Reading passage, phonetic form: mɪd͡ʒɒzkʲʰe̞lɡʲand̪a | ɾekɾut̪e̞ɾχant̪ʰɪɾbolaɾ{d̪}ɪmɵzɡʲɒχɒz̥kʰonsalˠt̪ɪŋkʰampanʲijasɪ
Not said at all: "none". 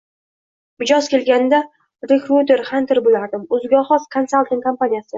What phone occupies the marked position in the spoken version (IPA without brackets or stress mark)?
d̪